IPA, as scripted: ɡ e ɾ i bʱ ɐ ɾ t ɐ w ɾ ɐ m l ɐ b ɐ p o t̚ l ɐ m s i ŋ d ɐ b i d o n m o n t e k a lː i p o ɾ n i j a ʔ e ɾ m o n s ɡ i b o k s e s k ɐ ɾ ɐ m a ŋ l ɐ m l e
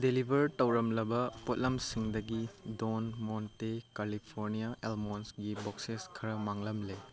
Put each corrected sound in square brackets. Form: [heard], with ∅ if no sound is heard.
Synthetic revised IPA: [d] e [l] i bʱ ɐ ɾ t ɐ w ɾ ɐ m l ɐ b ɐ p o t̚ l ɐ m s i ŋ d ɐ [ɡ] i d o n m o n t e k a [l] i [pʰ] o ɾ n i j a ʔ e [l] m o n s ɡ i b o k s e s [kʰ] ɐ ɾ ɐ m a ŋ l ɐ m l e

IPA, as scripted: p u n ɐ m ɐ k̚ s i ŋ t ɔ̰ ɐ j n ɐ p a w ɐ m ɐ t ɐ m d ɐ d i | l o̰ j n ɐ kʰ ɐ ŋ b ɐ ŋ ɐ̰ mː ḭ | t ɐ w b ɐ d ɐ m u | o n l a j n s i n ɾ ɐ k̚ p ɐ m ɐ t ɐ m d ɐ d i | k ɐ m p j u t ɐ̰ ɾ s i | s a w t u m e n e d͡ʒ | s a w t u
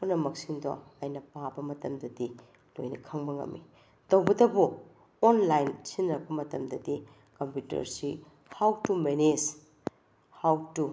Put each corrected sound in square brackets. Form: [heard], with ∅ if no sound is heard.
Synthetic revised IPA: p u n ɐ m ɐ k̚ s i ŋ [d] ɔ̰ ɐ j n ɐ p a [b] ɐ m ɐ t ɐ m d ɐ d i | l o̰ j n ɐ kʰ ɐ ŋ b ɐ ŋ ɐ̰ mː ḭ | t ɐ w b ɐ d ɐ [b] u | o n l a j n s i n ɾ ɐ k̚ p ɐ m ɐ t ɐ m d ɐ d i | k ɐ m p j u t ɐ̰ ɾ s i | [h] a w t u m e n e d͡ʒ | [h] a w t u

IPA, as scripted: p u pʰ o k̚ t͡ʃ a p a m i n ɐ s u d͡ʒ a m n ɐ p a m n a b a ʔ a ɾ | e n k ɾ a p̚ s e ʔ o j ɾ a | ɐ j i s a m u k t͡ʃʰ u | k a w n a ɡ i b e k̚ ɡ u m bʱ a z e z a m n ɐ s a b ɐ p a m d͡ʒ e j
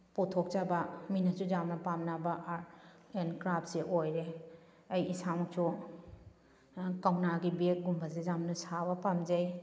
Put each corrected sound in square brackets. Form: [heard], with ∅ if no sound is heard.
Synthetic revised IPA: p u [tʰ] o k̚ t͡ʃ a [b] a m i n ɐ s u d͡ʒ a m n ɐ p a m n a b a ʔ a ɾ | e n k ɾ a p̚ s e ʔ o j ɾ [e] | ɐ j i s a m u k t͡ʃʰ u | k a w n a ɡ i b e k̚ ɡ u m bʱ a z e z a m n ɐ s a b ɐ p a m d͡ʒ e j

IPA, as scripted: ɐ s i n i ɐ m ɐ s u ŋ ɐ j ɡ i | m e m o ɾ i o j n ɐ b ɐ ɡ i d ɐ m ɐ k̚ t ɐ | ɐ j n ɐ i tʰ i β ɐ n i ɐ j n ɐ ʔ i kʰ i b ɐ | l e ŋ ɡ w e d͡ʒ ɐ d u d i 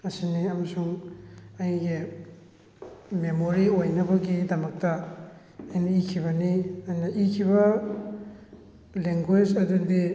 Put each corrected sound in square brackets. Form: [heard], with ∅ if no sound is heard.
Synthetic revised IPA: ɐ s i n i ɐ m ɐ s u ŋ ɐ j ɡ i | m e m o ɾ i o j n ɐ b ɐ ɡ i d ɐ m ɐ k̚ t ɐ | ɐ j n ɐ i [kʰ] i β ɐ n i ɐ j n ɐ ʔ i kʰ i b ɐ | l e ŋ ɡ w e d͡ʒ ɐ d u d i

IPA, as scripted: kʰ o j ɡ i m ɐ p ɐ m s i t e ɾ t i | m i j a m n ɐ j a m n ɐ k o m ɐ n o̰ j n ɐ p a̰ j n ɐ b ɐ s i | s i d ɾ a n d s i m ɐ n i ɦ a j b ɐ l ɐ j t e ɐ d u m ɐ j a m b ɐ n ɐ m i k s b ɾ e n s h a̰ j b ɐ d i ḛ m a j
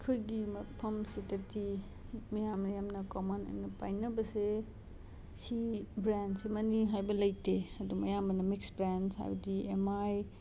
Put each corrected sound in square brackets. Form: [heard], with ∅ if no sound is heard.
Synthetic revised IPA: kʰ o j ɡ i m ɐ [pʰ] ɐ m s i t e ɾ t i | m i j a m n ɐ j a m n ɐ k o m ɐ n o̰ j n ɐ p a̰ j n ɐ b ɐ s [e] | s i [b] ɾ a n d s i m ɐ n i ɦ a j b ɐ l ɐ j t e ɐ d u m ɐ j a m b ɐ n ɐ m i k s b ɾ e n s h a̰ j b ɐ d i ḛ m a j

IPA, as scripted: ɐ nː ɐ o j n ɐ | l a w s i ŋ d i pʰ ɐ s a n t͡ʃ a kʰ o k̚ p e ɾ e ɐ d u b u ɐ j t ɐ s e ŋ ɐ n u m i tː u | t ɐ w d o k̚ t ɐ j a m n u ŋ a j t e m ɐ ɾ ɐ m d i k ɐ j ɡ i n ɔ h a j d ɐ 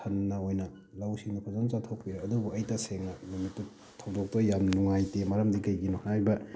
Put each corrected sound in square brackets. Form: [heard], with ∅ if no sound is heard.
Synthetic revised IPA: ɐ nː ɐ o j n ɐ | l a w s i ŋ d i pʰ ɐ [z] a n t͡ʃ a [tʰ] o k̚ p [i] ɾ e ɐ d u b u ɐ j t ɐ s e ŋ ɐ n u m i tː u | [tʰ] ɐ w d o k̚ t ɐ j a m n u ŋ a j t e m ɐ ɾ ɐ m d i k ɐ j ɡ i n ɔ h a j [b] ɐ

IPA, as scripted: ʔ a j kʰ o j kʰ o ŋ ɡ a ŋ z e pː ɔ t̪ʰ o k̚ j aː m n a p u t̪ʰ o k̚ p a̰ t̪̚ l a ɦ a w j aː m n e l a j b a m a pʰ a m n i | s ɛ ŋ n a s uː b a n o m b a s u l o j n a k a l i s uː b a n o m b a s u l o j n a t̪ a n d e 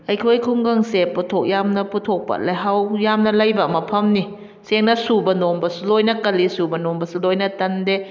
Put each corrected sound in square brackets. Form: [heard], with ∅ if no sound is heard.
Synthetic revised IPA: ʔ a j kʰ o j kʰ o ŋ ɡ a ŋ [s] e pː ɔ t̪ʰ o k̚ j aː m n a p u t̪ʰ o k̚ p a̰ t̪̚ l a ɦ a w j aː m n [a] l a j b a m a pʰ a m n i | s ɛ ŋ n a s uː b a n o m b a s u l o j n a k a l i s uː b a n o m b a s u l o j n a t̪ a n d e

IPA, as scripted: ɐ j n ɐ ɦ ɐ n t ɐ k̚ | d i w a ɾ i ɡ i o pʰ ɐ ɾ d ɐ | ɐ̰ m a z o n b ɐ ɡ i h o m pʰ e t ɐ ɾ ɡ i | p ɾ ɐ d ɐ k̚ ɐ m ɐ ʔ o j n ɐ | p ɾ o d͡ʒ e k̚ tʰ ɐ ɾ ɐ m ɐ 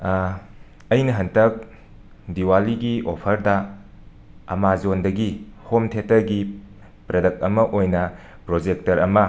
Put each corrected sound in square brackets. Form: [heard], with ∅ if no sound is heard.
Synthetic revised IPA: ɐ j n ɐ ɦ ɐ n t ɐ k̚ | d i w a [l] i ɡ i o pʰ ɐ ɾ d ɐ | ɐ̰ m a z o n [d] ɐ ɡ i h o m [tʰ] e t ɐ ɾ ɡ i | p ɾ ɐ d ɐ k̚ ɐ m ɐ ʔ o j n ɐ | p ɾ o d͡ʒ e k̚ [t] ɐ ɾ ɐ m ɐ

